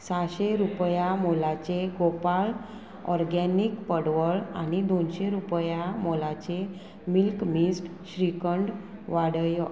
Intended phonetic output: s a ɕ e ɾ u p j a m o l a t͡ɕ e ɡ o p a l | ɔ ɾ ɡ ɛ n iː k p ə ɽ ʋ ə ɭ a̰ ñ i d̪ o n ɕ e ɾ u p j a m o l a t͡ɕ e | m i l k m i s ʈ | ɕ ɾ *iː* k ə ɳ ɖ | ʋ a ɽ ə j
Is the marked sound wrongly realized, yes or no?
yes